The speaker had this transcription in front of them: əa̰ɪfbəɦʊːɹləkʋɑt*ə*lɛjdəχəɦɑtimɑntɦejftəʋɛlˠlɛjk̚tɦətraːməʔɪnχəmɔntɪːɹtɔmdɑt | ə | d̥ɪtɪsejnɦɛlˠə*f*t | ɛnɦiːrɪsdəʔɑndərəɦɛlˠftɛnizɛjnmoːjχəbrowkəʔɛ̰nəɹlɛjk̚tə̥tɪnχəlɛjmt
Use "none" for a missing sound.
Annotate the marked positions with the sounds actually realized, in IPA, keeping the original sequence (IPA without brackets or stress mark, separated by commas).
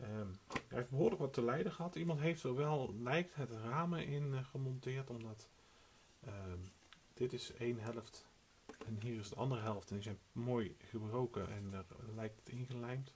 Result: ə, f